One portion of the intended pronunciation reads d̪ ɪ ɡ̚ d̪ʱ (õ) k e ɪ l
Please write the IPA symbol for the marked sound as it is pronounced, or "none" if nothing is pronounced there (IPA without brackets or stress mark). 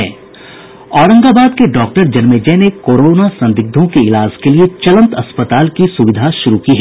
õ